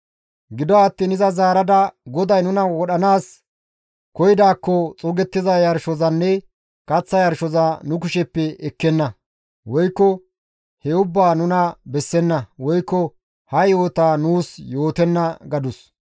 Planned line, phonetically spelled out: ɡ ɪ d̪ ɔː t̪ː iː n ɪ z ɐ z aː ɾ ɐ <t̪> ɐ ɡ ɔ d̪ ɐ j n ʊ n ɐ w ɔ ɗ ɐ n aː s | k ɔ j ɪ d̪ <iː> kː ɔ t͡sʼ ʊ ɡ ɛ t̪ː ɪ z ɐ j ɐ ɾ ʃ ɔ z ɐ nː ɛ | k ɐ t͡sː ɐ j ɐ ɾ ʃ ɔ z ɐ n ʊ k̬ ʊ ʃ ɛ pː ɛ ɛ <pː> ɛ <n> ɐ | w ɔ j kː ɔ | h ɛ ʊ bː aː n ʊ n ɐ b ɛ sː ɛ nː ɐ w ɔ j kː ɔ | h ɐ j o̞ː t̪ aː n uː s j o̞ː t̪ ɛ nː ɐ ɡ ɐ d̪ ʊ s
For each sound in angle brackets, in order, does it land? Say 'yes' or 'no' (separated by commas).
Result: no, no, no, no